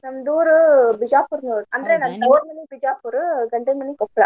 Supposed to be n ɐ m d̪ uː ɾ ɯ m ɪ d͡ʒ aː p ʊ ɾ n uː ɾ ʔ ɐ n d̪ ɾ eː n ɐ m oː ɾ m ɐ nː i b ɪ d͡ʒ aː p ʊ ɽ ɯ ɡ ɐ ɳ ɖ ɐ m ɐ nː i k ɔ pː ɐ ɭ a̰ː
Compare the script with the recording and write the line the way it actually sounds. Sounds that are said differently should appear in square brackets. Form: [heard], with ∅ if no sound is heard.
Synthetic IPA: n ɐ m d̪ uː ɾ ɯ [b] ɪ d͡ʒ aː p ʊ ɾ n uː ɾ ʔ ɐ n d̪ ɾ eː n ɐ m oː ɾ m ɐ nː i b ɪ d͡ʒ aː p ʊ [ɾ] ɯ ɡ ɐ ɳ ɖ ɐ m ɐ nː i k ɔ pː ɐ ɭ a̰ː